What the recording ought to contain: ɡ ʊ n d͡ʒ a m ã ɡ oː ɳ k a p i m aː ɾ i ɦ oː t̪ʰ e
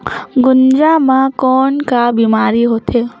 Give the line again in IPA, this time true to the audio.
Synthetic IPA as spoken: ɡ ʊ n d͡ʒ a m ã k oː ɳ k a b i m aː ɾ i ɦ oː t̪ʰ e